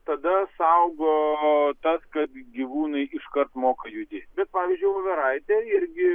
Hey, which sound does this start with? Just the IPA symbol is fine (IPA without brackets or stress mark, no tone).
t̪